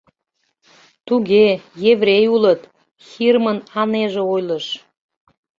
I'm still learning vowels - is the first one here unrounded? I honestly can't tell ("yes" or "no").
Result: no